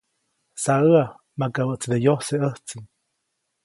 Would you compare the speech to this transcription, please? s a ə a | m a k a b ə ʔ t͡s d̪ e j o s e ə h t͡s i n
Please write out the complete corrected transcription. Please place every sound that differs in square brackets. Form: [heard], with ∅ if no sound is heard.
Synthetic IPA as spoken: s a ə a | m a k a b ə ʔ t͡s d̪ e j o s e ə h t͡s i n